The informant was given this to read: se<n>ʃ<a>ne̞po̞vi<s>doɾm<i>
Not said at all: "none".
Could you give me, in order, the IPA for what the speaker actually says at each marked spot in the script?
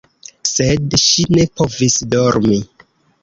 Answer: d, i, s, i

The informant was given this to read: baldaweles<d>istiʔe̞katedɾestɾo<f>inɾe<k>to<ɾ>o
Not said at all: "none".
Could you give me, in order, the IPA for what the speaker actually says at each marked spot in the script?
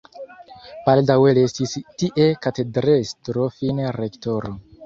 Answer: t, f, k, ɾ

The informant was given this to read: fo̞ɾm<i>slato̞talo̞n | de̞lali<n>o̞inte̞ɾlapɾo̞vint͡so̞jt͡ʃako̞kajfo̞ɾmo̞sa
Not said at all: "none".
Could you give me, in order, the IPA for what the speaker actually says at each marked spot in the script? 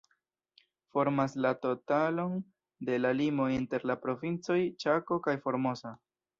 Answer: a, m

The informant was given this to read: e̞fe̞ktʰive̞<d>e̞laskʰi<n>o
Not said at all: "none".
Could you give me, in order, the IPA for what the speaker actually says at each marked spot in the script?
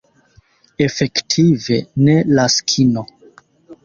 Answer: n, n

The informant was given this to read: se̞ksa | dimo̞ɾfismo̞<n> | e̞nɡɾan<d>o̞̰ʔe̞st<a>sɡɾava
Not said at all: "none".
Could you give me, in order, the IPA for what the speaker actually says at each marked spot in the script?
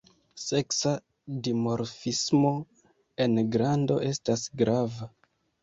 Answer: none, d, a

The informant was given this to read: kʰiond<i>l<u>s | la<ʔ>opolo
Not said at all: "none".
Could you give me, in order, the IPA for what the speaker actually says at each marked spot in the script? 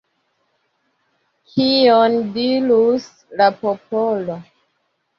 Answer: i, u, p

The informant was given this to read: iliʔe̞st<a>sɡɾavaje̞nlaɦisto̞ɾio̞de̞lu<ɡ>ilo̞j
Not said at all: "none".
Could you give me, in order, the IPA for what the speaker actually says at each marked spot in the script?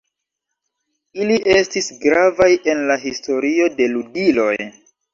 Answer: i, d

